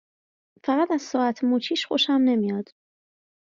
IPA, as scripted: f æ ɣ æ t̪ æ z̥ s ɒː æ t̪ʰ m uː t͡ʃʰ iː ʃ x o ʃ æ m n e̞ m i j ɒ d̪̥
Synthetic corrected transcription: f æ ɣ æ t̪ æ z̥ s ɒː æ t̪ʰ m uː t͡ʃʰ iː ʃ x o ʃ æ m n e̞ m i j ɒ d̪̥